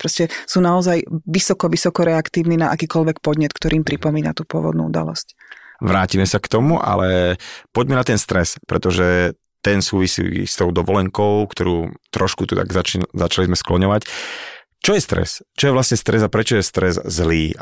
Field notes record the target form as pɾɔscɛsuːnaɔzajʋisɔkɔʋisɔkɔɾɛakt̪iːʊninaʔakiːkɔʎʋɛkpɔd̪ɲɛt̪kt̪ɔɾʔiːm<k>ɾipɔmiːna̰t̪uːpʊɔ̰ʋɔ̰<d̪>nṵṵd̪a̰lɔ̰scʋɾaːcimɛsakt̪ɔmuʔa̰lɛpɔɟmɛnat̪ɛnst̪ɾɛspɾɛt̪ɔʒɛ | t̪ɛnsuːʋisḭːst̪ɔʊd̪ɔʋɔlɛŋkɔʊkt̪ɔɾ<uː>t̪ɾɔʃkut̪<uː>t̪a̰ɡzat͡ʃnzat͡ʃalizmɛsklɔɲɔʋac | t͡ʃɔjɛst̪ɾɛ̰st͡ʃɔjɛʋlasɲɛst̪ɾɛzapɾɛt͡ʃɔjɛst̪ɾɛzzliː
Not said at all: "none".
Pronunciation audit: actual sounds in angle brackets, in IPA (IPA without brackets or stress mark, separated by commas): p, d̪, uː, u